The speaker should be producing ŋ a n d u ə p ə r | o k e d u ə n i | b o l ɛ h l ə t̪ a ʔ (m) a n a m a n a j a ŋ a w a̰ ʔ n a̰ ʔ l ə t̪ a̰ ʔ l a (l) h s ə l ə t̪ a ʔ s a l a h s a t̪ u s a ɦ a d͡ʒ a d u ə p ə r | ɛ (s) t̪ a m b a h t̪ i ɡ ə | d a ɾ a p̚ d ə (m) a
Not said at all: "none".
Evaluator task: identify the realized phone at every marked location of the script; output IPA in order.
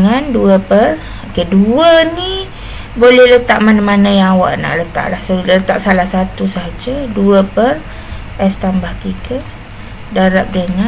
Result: m, none, s, ŋ

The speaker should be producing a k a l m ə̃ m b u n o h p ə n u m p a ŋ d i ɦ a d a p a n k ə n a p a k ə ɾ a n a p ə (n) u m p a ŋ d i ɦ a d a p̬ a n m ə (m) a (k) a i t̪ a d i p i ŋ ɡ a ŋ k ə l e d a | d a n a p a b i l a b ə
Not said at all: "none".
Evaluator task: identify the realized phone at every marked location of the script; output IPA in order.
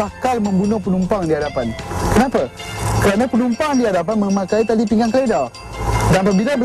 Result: n, m, k

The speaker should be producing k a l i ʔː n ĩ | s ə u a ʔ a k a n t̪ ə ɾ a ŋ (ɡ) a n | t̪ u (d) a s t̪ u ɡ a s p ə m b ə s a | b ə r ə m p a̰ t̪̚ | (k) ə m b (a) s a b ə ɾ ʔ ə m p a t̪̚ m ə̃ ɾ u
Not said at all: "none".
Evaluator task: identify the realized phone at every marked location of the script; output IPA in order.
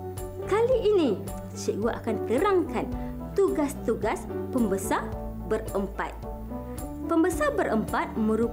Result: k, ɡ, p, ə

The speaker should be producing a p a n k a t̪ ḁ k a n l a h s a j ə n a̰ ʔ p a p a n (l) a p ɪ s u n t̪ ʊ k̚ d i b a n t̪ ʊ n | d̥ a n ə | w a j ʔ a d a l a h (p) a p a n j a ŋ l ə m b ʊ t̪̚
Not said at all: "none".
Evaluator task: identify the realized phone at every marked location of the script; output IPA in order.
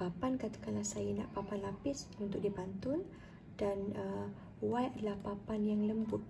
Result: l, p

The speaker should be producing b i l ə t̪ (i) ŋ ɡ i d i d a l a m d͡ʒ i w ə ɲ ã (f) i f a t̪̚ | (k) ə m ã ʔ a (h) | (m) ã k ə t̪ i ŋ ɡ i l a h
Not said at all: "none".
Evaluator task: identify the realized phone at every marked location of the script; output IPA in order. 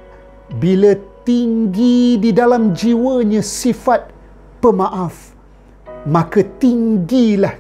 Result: i, s, p, f, m

